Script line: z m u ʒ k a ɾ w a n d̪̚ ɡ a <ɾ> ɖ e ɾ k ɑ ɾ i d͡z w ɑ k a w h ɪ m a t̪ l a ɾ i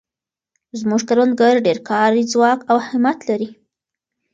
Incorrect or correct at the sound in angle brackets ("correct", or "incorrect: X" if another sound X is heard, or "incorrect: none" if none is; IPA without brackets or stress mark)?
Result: correct